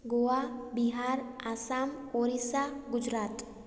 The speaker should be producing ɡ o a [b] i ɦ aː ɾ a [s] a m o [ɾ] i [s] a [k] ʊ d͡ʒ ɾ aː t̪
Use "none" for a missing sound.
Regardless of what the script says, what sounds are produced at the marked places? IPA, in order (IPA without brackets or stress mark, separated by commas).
b, s, ɾ, s, ɡ